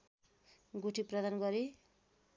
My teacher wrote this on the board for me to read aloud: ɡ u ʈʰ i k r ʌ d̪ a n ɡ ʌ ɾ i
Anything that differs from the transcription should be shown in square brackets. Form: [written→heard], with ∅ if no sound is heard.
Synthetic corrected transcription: ɡ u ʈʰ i [k→p] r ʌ d̪ a n ɡ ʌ ɾ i